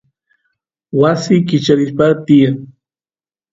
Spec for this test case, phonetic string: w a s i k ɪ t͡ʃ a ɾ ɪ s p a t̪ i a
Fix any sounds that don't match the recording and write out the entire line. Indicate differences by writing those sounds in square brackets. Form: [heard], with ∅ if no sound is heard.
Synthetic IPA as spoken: w a s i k ɪ t͡ʃ a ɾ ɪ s p a t̪ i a